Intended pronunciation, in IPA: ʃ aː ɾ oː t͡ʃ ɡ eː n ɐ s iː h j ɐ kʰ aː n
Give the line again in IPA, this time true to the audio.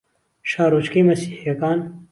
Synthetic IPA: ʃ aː ɾ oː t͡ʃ k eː m ɐ s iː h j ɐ k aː n

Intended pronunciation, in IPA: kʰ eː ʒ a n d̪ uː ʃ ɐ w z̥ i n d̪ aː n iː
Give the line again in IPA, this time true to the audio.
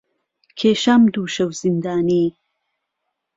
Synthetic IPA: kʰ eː ʃ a m d̪ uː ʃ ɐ w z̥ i n d̪ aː n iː

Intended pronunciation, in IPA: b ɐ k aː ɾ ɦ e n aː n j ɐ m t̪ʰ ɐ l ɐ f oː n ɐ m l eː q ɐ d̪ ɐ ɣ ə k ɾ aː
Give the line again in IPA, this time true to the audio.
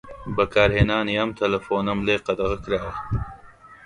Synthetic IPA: b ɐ k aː ɾ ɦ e n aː n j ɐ m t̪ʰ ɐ l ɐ f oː n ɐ m l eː q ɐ d̪ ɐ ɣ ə k ɾ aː

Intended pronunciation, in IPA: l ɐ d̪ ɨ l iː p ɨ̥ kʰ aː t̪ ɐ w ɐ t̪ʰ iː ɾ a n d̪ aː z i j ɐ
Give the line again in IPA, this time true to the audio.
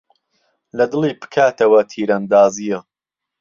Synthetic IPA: l ɐ d̪ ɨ l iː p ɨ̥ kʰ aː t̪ ɐ w ɐ t̪ʰ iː ɾ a n d̪ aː z i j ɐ

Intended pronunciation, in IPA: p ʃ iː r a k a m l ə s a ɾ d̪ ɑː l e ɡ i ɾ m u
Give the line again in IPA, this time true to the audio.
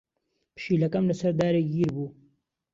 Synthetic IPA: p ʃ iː l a k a m l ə s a ɾ d̪ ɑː ɾ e ɡ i ɾ b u

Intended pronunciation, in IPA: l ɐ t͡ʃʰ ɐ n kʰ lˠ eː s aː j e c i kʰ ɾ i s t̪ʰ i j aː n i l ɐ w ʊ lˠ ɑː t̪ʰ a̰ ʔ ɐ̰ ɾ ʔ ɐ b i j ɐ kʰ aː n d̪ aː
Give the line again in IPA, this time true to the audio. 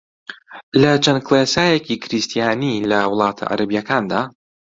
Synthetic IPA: l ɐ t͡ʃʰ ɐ n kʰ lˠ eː s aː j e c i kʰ ɾ i s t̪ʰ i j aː n i l ɐ w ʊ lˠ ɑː t̪ʰ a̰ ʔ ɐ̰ ɾ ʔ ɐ b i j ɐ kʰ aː n d̪ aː

